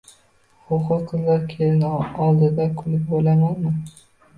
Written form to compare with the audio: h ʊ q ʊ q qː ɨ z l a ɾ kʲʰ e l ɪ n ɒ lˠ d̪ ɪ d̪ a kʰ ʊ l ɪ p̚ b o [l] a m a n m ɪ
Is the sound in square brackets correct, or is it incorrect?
correct